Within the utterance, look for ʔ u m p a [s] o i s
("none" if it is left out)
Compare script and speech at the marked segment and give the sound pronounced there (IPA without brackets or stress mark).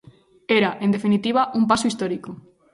s